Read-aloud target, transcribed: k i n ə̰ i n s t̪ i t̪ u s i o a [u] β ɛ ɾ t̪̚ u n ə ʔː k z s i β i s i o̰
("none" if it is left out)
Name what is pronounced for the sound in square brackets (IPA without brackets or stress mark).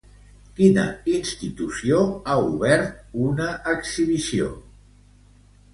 u